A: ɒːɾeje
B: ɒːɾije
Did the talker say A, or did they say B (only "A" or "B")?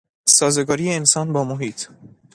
B